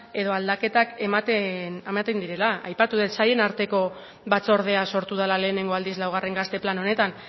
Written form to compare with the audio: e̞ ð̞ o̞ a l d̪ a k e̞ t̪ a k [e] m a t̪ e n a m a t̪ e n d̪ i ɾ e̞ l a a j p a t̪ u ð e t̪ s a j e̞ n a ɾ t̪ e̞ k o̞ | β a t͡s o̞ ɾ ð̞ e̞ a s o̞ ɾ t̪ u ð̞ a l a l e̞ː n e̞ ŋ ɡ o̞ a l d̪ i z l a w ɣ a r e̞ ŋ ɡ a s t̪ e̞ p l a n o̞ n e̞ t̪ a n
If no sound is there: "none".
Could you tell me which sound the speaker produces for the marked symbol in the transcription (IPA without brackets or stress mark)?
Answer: e